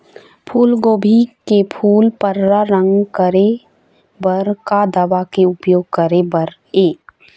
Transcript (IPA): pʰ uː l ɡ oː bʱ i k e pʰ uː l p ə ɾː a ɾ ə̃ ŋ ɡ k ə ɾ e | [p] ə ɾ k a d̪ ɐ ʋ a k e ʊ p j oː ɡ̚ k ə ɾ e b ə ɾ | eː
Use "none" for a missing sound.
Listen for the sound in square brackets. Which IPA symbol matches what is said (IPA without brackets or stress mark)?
b